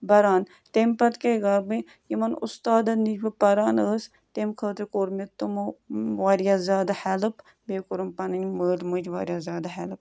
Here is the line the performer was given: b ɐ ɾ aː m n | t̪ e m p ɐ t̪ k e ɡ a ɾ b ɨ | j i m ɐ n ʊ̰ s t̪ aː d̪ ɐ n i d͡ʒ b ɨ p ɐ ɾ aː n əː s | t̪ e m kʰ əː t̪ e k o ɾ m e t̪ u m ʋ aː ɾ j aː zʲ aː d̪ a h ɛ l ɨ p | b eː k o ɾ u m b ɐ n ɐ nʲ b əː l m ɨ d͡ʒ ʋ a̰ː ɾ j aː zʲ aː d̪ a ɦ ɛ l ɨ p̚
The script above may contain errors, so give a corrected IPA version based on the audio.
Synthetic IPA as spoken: b ɐ ɾ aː n | t̪ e m p ɐ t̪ k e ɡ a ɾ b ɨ | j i m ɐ n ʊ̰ s t̪ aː d̪ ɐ n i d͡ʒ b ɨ p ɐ ɾ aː n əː s | t̪ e m kʰ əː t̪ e k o ɾ m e t̪ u m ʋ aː ɾ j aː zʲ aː d̪ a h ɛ l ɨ p | b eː k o ɾ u m p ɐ n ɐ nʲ m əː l m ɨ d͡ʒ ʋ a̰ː ɾ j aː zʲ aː d̪ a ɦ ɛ l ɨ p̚